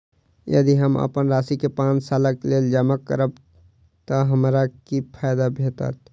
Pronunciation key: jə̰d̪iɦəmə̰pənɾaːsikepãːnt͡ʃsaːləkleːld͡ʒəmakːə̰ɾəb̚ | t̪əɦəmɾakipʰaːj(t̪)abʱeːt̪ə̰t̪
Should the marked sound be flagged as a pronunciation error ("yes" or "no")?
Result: yes